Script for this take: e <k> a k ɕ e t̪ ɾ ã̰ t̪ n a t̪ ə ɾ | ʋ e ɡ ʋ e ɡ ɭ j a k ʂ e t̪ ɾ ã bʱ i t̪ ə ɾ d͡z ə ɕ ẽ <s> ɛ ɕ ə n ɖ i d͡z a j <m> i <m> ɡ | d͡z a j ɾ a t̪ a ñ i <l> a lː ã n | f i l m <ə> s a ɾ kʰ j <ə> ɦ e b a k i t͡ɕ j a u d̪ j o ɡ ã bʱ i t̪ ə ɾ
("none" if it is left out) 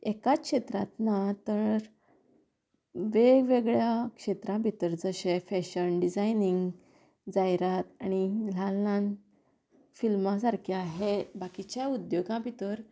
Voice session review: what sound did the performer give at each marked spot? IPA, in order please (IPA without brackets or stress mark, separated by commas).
k, f, n, ŋ, l, a, a